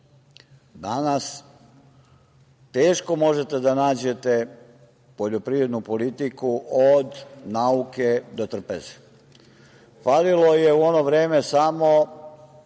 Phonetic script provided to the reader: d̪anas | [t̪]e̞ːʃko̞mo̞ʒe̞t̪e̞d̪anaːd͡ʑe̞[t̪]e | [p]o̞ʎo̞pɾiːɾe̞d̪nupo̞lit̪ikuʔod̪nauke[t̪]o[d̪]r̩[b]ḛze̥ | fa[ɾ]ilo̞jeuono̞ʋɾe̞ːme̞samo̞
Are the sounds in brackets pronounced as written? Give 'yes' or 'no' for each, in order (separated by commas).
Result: yes, yes, yes, no, no, no, no